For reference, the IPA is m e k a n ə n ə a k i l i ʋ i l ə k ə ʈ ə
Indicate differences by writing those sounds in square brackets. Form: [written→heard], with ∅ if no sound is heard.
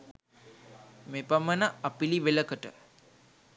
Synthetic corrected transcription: m e [k→p] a [n→m] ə n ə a [k→p] i l i ʋ [i→e] l ə k ə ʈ ə